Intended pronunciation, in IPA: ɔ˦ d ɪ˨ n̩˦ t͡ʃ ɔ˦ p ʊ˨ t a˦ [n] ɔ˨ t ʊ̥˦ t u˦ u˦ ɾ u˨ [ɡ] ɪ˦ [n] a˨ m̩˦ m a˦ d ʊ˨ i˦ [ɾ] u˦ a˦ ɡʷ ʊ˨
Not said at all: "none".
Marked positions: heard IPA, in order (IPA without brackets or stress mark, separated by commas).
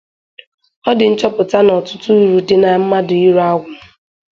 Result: n, d, n, ɾ